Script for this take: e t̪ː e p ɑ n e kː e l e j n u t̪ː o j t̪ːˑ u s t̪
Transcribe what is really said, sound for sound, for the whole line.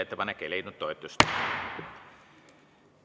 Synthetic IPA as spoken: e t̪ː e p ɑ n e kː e l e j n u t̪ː o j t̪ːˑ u s t̪